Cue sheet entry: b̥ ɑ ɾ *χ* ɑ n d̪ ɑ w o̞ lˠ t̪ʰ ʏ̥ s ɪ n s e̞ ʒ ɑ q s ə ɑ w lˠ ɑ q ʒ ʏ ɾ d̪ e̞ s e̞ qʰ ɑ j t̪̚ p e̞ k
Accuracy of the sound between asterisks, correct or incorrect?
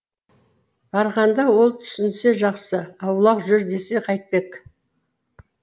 incorrect